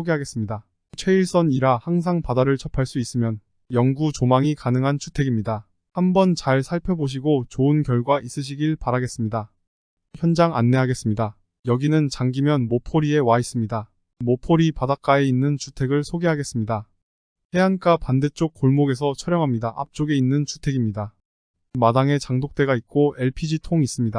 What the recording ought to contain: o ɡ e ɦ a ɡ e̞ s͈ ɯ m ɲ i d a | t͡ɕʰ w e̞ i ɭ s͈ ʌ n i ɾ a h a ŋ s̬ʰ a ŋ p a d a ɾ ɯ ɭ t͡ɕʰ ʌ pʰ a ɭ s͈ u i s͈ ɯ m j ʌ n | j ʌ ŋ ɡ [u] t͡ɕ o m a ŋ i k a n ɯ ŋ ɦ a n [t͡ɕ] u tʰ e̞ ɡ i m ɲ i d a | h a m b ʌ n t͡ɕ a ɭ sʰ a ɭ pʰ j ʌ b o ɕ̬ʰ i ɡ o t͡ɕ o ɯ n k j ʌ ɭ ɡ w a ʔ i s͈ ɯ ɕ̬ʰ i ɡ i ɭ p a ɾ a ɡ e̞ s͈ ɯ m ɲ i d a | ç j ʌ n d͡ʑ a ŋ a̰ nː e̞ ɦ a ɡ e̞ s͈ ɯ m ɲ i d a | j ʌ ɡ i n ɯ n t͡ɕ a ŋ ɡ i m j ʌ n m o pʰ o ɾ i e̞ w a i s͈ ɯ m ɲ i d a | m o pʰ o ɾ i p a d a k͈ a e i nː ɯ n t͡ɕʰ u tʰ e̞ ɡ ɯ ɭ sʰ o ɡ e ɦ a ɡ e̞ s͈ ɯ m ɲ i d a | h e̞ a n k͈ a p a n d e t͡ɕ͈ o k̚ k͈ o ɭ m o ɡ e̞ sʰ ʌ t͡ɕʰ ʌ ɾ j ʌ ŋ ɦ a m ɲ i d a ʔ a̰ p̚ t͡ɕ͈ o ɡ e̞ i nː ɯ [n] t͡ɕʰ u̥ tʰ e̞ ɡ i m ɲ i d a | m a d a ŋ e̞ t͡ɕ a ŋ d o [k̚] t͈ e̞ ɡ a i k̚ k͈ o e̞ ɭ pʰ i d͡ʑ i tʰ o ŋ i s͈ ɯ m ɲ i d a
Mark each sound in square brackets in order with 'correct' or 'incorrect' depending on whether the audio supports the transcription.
correct, incorrect, correct, correct

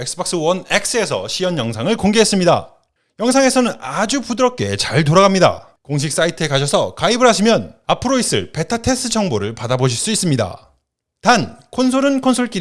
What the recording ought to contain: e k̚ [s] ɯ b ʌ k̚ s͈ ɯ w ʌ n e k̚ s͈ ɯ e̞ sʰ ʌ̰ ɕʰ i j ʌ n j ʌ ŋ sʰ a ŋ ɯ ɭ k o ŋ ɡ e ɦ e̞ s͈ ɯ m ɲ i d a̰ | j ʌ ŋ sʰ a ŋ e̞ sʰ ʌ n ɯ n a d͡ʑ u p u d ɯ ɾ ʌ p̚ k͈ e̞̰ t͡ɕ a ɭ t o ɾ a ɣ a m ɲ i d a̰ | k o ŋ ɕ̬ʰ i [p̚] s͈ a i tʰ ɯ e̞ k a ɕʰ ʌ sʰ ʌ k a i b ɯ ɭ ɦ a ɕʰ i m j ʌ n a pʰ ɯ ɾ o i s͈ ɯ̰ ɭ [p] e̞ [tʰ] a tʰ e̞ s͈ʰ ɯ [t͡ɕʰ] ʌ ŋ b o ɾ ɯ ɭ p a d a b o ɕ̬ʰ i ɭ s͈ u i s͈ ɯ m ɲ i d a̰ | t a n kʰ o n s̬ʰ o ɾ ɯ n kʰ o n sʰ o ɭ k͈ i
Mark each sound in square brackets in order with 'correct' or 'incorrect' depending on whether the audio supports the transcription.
correct, incorrect, correct, correct, correct

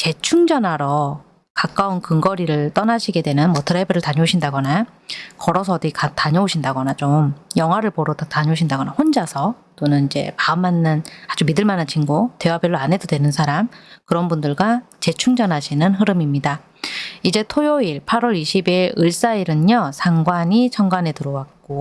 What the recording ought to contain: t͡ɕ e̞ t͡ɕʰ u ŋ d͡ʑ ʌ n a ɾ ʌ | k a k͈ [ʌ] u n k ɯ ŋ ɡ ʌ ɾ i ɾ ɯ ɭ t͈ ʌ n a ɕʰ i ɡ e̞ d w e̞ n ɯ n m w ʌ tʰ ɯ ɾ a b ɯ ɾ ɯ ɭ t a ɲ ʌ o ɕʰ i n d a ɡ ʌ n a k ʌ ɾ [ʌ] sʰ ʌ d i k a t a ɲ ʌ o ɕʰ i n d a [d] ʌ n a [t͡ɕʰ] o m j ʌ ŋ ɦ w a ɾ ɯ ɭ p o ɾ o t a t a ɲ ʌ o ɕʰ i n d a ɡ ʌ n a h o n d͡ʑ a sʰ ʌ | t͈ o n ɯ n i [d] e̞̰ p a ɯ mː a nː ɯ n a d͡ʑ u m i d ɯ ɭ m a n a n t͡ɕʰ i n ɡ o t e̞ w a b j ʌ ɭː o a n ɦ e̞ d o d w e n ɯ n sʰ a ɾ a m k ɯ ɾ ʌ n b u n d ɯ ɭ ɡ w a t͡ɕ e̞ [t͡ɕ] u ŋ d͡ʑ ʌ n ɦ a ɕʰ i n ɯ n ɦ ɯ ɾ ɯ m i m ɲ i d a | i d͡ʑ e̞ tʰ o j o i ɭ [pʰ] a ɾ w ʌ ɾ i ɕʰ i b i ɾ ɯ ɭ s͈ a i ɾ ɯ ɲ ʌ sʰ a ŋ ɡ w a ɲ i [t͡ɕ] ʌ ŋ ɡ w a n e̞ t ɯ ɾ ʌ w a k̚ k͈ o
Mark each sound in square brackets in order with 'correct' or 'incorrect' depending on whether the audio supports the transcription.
incorrect, correct, incorrect, incorrect, incorrect, incorrect, correct, incorrect

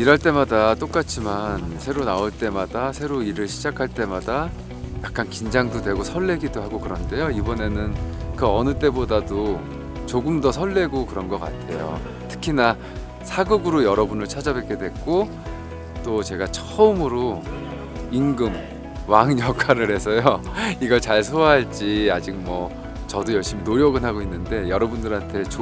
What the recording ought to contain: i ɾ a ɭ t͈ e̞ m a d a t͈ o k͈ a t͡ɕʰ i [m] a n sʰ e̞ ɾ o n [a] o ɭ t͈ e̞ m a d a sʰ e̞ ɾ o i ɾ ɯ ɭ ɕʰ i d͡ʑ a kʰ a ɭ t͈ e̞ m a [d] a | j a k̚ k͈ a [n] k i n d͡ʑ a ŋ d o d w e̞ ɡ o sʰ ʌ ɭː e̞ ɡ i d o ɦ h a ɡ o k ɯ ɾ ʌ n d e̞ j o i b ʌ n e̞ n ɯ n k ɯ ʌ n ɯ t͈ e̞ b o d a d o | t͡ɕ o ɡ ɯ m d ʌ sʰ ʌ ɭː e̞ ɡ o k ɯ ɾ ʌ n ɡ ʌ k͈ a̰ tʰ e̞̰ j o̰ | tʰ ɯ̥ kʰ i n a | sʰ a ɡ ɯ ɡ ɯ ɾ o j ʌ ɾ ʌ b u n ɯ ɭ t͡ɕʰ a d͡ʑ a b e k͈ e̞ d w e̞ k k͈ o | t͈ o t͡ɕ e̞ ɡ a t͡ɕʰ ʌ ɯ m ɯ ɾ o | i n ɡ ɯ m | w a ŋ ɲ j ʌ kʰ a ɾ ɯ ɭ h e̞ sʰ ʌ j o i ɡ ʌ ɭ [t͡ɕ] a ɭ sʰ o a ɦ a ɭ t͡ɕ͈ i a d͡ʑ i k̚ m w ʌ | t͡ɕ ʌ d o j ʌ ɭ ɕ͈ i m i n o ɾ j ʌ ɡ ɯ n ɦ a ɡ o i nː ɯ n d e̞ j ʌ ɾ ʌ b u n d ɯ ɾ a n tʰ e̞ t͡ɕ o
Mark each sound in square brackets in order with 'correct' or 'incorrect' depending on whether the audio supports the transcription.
correct, correct, correct, correct, correct

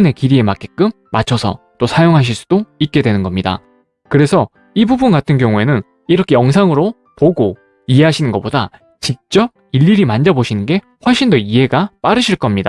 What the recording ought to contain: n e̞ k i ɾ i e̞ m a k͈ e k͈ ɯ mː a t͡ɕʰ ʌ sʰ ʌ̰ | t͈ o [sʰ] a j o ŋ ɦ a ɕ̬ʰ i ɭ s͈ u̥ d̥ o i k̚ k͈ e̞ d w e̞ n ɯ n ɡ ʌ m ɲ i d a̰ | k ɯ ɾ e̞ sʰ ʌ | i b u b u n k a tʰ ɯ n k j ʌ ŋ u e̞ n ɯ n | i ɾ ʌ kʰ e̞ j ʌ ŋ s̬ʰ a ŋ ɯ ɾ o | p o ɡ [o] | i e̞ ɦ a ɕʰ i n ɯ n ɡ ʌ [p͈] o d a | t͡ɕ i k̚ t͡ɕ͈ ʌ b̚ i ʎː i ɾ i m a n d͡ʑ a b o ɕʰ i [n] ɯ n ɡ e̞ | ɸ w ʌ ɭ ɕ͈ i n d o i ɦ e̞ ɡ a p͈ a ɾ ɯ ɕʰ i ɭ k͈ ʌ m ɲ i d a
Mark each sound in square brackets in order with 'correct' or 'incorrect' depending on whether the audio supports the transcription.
correct, correct, correct, correct

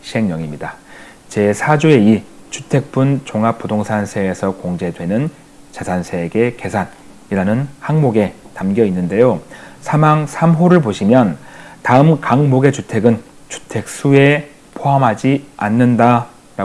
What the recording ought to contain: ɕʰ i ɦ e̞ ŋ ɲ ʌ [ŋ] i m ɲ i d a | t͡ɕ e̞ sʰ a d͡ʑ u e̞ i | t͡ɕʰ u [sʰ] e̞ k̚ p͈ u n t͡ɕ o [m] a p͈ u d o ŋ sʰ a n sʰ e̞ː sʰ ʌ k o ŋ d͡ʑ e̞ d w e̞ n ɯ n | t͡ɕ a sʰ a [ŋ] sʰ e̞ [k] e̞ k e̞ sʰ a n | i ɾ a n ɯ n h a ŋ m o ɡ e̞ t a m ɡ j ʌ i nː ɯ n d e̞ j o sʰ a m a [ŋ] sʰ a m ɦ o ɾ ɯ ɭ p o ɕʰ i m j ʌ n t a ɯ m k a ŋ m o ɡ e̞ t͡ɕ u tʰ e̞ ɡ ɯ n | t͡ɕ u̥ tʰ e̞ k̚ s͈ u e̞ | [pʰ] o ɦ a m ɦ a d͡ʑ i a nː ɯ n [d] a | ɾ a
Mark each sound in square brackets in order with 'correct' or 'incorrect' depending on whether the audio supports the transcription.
correct, incorrect, incorrect, incorrect, incorrect, correct, correct, correct

